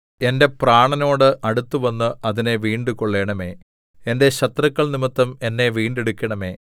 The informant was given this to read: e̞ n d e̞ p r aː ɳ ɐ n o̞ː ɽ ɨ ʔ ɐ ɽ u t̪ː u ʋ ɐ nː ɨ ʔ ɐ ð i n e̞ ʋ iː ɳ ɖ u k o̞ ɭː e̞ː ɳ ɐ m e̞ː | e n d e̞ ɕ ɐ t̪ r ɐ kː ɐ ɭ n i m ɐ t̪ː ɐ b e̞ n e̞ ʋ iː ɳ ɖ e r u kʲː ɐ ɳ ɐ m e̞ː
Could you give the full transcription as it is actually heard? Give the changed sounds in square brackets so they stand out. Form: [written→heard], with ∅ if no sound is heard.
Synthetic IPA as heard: e̞ n d e̞ p r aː ɳ ɐ n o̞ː ɽ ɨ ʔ ɐ ɽ u t̪ː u ʋ ɐ nː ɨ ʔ ɐ ð i n e̞ ʋ iː ɳ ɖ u k o̞ ɭː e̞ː ɳ ɐ m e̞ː | e n d e̞ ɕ ɐ t̪ r ɐ kː ɐ ɭ n i m ɐ t̪ː ɐ [b→m] e̞ [n→nː] e̞ ʋ iː ɳ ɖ e [r→ɽ] u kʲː ɐ ɳ ɐ m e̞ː